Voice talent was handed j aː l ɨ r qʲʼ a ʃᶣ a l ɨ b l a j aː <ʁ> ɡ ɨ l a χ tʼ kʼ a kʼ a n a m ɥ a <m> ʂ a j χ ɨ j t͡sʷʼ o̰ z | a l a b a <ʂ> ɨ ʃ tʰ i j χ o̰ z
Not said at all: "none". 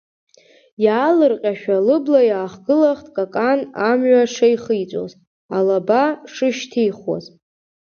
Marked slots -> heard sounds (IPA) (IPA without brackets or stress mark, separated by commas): χ, none, ʂ